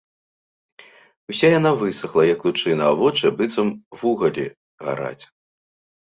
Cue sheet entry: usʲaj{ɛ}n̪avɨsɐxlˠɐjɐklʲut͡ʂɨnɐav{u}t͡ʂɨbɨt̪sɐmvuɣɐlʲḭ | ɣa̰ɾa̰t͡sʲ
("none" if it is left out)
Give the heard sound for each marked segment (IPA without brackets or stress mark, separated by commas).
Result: a, ɔ